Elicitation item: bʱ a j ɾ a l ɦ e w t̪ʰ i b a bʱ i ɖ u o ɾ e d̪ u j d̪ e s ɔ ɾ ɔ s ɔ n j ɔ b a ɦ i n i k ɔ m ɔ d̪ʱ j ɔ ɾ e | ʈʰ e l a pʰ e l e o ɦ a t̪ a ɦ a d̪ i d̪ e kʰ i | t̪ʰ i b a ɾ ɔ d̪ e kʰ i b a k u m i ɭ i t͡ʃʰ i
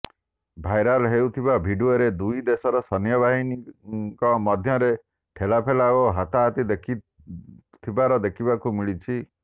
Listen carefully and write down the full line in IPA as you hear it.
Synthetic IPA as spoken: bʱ a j ɾ a l ɦ e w t̪ʰ i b a bʱ i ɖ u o ɾ e d̪ u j d̪ e s ɔ ɾ ɔ s ɔ n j ɔ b a ɦ i n i k ɔ m ɔ d̪ʱ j ɔ ɾ e | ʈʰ e l a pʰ e l a o ɦ a t̪ a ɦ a t̪ i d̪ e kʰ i | t̪ʰ i b a ɾ ɔ d̪ e kʰ i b a k u m i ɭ i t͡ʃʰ i

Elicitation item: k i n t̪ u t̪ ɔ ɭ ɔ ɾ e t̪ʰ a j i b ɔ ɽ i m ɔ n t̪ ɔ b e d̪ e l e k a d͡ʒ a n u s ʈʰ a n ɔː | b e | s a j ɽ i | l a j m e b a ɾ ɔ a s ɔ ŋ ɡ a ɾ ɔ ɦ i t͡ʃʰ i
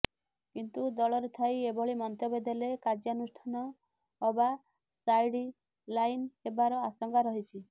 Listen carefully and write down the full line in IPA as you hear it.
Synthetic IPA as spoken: k i n t̪ u d̪ ɔ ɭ ɔ ɾ e t̪ʰ a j e b ɔ ɭ i m ɔ n t̪ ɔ b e d̪ e l e k a d͡ʒ a n u s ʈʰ a n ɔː | b a | s a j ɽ i | l a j n e b a ɾ ɔ a s ɔ ŋ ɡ a ɾ ɔ ɦ i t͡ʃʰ i

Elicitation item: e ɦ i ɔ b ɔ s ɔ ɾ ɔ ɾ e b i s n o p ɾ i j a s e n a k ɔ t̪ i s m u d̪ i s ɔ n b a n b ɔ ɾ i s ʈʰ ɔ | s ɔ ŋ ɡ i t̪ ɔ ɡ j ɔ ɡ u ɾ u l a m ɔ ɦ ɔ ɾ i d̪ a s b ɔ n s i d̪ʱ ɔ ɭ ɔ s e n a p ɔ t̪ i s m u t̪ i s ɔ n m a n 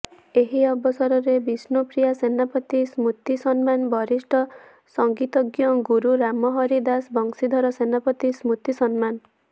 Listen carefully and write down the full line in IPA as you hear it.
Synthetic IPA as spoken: e ɦ i ɔ b ɔ s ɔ ɾ ɔ ɾ e b i s n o p ɾ i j a s e n a p ɔ t̪ i s m u t̪ i s ɔ n m a n b ɔ ɾ i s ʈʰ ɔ | s ɔ ŋ ɡ i t̪ ɔ ɡ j ɔ ɡ u ɾ u ɾ a m ɔ ɦ ɔ ɾ i d̪ a s b ɔ ŋ s i d̪ʱ ɔ ɾ ɔ s e n a p ɔ t̪ i s m u t̪ i s ɔ n m a n

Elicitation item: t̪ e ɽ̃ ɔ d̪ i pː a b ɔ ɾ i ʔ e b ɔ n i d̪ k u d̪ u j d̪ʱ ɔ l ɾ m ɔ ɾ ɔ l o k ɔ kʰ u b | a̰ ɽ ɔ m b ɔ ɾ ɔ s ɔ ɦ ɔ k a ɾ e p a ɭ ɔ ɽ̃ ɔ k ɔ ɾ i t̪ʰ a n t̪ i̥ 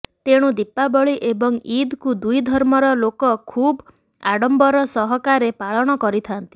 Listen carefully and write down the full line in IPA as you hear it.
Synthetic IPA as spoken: t̪ e ɽ̃ u d̪ i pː a b ɔ ɭ i ʔ e b ɔ ŋ i d̪ k u d̪ u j d̪ʱ ɔ ɾ m ɔ ɾ ɔ l o k ɔ kʰ u b | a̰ ɽ ɔ m b ɔ ɾ ɔ s ɔ ɦ ɔ k a ɾ e p a ɭ ɔ ɽ̃ ɔ k ɔ ɾ i t̪ʰ a n t̪ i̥

